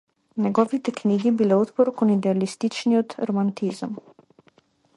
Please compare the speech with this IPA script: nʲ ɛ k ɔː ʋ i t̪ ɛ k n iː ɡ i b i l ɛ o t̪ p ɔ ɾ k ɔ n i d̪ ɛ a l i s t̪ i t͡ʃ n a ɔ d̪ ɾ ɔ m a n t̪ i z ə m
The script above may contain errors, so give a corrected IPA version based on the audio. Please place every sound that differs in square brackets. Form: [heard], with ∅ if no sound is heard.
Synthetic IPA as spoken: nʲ ɛ [ɡ] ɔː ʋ i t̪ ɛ k n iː ɡ i b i l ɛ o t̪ p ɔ ɾ k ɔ n i d̪ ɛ a l i s t̪ i t͡ʃ n [i] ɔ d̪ ɾ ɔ m a n t̪ i z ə m